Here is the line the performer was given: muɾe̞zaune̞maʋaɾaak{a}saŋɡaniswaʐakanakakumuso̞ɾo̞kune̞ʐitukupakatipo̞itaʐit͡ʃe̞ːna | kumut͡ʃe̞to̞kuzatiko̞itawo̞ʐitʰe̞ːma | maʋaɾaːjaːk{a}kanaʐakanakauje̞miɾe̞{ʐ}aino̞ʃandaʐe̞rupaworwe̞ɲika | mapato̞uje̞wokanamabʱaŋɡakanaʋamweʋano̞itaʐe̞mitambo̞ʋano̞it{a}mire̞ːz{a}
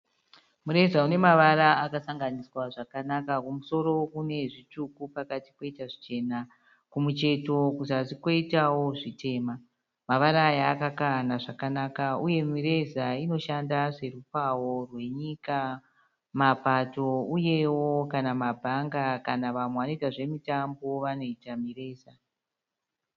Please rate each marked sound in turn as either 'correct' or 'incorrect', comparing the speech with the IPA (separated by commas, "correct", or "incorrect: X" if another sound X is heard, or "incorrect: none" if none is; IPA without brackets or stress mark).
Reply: correct, correct, incorrect: z, correct, correct